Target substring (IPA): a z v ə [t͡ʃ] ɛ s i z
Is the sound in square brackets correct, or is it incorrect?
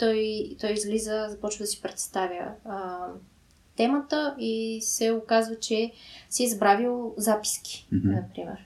correct